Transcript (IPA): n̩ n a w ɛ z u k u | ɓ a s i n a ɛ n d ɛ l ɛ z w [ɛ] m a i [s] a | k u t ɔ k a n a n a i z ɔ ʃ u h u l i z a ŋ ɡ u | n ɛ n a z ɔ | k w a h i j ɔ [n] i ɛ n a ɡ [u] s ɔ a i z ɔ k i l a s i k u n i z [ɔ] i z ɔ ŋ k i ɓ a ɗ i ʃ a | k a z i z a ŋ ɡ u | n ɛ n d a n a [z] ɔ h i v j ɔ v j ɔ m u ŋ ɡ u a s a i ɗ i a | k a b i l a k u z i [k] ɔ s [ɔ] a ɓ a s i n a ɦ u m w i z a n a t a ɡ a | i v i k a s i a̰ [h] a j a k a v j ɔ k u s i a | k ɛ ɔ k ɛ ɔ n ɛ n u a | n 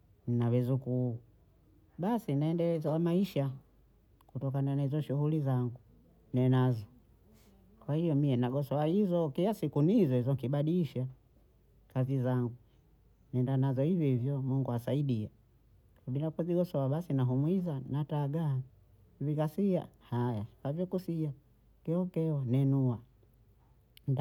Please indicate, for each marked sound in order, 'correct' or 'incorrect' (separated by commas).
incorrect, incorrect, incorrect, incorrect, correct, correct, incorrect, correct, correct